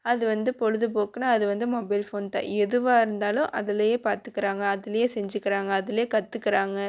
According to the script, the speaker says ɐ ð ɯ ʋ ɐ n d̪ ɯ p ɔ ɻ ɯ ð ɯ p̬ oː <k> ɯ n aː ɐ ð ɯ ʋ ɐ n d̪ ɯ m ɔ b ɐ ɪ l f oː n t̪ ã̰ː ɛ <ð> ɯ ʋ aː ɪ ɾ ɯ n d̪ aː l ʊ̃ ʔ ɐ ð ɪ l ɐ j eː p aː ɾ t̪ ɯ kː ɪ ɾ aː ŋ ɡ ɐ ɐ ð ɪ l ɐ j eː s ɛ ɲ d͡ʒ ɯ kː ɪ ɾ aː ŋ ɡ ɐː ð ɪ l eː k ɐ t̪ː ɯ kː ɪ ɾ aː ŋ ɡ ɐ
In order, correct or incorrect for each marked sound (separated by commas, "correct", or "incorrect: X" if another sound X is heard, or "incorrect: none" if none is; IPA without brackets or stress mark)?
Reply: correct, correct